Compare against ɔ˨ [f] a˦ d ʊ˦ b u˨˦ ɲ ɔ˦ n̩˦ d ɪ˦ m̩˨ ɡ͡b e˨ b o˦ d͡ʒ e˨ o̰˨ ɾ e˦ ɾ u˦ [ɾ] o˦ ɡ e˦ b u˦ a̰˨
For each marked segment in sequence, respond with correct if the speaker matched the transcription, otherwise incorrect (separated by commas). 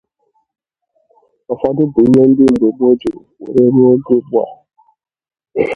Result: correct, incorrect